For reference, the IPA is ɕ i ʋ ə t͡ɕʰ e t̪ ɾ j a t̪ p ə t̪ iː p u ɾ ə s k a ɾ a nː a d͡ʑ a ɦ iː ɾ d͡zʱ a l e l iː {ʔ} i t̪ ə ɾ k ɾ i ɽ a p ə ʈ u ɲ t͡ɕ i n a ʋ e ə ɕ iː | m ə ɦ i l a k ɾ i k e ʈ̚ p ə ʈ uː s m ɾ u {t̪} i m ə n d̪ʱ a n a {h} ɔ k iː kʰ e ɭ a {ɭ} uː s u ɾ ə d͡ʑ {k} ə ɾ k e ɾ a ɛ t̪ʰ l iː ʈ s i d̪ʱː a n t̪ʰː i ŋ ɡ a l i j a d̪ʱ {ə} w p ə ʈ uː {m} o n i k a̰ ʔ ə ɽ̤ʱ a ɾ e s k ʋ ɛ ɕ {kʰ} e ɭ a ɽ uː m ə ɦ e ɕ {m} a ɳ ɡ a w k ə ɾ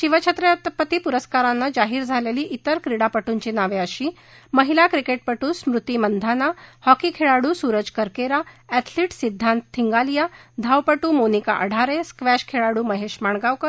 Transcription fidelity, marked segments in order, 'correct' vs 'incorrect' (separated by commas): correct, correct, correct, incorrect, correct, incorrect, correct, correct, correct